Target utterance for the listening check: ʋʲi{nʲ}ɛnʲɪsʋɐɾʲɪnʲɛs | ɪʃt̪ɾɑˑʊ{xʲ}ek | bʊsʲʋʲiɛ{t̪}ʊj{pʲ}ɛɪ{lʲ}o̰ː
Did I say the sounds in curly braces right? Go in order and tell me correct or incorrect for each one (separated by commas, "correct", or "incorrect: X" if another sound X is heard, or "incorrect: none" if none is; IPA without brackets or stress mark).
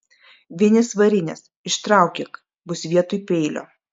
incorrect: none, incorrect: kʲ, correct, correct, correct